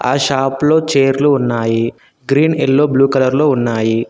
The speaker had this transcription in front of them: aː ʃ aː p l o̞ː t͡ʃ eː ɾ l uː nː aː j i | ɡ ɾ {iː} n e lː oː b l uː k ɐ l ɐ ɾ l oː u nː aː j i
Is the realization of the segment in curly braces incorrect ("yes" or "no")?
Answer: no